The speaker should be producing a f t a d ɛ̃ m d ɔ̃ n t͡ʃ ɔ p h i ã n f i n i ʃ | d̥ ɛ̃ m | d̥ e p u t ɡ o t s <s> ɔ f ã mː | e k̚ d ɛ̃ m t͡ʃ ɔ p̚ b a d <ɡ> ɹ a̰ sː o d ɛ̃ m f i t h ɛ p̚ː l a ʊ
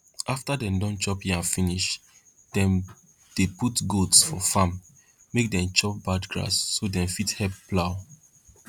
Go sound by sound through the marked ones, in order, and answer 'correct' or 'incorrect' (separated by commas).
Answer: incorrect, correct